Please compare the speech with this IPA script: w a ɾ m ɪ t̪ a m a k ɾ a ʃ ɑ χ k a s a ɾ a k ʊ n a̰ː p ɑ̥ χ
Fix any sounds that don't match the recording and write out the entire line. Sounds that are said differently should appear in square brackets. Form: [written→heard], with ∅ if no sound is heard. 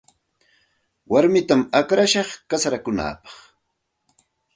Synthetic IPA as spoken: w a ɾ m ɪ t̪ a m a k ɾ a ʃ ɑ χ k a s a ɾ a k ʊ n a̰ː p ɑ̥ χ